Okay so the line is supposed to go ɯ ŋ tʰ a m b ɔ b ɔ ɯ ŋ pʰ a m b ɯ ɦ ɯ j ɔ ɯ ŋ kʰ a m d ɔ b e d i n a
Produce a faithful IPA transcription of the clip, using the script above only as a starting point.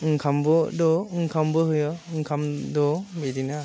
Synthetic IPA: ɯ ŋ kʰ a m b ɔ d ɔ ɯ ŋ kʰ a m b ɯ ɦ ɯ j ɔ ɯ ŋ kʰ a m d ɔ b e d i n a